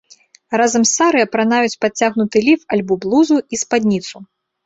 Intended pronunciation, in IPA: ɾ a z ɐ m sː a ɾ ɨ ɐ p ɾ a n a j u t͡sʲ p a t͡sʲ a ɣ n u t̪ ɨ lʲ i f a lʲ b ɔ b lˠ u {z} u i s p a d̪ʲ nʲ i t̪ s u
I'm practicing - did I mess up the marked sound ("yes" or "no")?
no